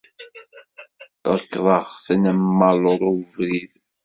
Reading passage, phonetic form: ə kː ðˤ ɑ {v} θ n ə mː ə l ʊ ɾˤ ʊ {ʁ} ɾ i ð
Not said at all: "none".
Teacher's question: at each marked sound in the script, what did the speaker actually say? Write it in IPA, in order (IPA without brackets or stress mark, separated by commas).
ʁ, v